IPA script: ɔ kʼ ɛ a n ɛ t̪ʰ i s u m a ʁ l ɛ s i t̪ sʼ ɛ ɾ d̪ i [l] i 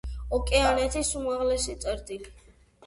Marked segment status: correct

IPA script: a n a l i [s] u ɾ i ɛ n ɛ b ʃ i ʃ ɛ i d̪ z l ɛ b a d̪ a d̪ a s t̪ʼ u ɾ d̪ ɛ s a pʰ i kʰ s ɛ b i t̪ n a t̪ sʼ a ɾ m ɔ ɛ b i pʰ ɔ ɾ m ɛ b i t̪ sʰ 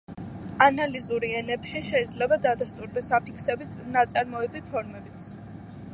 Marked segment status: incorrect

